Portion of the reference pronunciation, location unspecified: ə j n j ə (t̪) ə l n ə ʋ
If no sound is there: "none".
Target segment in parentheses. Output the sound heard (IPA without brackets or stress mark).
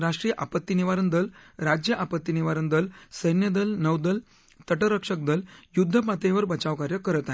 d̪